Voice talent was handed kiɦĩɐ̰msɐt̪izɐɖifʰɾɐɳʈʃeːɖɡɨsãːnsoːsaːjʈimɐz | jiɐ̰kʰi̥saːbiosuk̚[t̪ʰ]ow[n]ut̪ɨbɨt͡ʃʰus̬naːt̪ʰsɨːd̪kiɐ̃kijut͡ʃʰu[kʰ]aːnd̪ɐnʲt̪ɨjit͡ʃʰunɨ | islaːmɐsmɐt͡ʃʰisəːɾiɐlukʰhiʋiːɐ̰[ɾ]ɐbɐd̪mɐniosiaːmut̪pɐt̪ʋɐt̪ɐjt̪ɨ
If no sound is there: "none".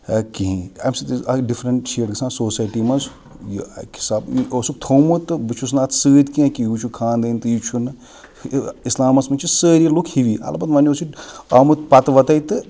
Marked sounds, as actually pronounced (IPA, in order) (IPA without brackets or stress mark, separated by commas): t̪ʰ, m, kʰ, l